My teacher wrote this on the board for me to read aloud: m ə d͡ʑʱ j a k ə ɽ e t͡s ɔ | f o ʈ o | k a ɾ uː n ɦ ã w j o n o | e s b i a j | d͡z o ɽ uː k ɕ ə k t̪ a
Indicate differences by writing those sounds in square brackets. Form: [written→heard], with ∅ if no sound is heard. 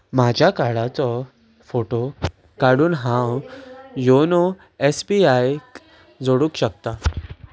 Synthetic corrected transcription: m [ə→a] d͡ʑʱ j a k [ə→a] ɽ [e→a] t͡s ɔ | f o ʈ o | k a [ɾ→ɽ] uː n ɦ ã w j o n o | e s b i a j | d͡z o ɽ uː k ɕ ə k t̪ a